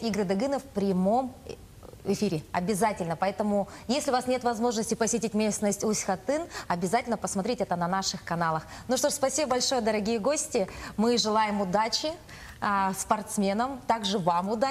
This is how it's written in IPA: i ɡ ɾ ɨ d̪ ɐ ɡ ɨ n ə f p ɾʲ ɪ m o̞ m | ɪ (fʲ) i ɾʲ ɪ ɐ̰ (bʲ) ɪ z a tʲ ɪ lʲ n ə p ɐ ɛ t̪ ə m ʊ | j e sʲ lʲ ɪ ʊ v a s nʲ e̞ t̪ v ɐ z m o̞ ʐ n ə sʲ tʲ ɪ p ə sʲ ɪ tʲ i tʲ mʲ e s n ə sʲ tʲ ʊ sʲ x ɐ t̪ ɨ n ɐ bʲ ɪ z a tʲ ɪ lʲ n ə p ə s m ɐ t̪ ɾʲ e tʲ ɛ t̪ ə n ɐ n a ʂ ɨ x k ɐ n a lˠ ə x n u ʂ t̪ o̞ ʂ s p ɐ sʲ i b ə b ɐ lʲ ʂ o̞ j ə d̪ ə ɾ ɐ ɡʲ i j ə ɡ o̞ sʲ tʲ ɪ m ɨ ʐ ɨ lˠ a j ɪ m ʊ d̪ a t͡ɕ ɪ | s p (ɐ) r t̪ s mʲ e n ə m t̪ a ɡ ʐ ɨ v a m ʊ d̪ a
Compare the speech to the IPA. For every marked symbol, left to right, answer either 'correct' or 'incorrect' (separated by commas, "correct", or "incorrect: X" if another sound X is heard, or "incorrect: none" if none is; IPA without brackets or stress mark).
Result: correct, correct, correct